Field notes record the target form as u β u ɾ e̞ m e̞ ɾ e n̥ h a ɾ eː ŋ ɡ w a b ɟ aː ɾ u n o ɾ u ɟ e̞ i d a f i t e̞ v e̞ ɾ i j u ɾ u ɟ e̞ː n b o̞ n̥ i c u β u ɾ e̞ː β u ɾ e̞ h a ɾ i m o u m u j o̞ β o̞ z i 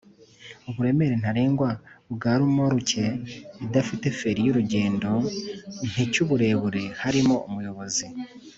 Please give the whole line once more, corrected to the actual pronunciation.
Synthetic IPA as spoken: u β u ɾ e̞ m e̞ ɾ e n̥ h a ɾ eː ŋ ɡ w a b ɡ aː ɾ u m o ɾ u c e̞ i d a f i t e̞ f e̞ ɾ i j u ɾ u ɟ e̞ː n d o̞ n̥ i c u β u ɾ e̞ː β u ɾ e̞ h a ɾ i m o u m u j o̞ β o̞ z i